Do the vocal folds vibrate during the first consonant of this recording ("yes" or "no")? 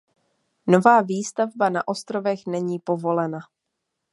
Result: yes